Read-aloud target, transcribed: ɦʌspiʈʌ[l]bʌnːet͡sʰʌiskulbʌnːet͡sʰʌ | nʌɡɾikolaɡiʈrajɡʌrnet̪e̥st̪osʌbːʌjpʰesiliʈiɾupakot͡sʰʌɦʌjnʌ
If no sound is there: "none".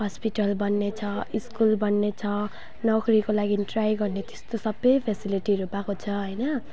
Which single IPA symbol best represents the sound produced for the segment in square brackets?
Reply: l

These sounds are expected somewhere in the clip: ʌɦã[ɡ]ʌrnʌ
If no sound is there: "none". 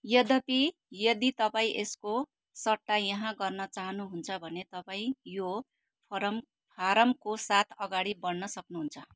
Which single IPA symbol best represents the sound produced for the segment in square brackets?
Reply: ɡ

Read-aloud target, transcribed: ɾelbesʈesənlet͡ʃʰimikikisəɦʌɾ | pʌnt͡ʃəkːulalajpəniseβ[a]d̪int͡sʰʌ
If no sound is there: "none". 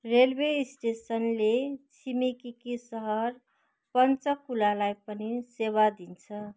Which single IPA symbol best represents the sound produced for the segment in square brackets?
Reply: a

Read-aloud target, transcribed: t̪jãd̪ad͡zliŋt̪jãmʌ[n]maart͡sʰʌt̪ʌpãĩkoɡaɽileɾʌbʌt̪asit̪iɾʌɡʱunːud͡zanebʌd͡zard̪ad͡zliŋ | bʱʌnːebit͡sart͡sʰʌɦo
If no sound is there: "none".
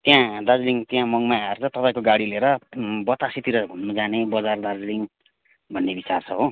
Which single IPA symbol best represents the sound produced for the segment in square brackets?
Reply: ŋ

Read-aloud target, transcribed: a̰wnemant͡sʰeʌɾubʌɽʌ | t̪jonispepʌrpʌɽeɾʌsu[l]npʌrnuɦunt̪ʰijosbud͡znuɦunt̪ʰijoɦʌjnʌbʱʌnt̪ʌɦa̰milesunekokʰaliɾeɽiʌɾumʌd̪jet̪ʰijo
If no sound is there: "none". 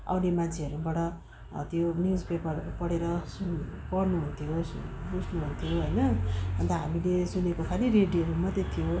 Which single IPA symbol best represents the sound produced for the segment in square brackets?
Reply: none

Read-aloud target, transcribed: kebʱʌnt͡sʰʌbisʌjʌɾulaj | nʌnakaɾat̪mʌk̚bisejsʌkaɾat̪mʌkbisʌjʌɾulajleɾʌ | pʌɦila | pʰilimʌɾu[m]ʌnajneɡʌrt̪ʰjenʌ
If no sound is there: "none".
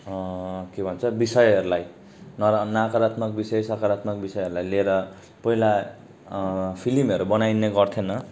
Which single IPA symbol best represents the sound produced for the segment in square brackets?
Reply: b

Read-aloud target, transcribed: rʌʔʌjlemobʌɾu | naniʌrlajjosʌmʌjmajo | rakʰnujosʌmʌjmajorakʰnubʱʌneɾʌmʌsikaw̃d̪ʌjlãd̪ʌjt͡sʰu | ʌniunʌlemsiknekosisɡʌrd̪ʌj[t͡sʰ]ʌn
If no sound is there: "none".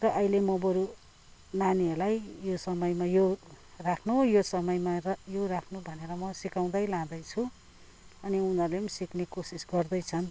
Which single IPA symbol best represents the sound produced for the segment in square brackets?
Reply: t͡sʰ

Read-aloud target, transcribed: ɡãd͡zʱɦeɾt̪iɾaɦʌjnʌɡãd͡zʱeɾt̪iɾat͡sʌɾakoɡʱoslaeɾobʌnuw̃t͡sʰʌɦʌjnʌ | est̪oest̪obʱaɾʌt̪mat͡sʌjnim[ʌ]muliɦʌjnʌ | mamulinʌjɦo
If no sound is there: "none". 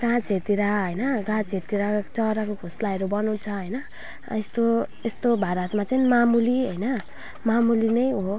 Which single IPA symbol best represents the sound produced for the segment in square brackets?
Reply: a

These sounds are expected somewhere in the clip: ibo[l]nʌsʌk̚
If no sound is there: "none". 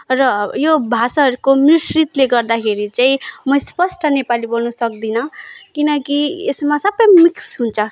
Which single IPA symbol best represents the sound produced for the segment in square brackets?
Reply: l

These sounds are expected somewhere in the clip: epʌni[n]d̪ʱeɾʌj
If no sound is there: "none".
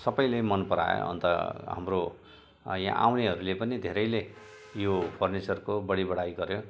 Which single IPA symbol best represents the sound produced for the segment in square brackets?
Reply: none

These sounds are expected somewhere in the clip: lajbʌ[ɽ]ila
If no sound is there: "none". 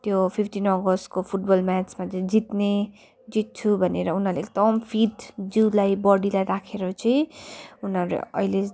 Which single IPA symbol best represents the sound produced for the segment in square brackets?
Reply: ɽ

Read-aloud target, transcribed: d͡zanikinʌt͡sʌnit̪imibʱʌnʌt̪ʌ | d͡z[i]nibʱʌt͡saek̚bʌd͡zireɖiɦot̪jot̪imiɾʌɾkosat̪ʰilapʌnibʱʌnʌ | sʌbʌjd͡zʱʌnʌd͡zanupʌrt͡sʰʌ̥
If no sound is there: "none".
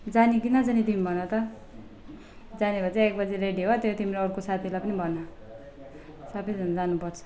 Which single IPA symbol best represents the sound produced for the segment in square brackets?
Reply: a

